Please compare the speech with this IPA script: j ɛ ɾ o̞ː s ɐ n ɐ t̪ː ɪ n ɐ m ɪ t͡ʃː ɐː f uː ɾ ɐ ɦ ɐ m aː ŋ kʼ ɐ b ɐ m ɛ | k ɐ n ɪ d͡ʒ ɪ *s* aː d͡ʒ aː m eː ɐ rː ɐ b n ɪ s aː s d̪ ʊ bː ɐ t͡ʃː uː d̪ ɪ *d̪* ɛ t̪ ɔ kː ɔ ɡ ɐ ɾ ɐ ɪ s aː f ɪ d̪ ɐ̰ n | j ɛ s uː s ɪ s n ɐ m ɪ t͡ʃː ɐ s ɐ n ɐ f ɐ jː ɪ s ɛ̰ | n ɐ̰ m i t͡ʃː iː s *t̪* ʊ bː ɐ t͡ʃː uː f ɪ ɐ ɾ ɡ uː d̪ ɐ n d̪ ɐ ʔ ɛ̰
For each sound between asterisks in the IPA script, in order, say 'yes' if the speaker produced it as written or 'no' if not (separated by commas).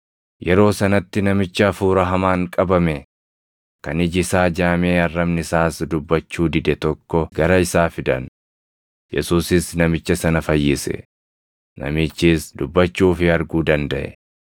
yes, yes, no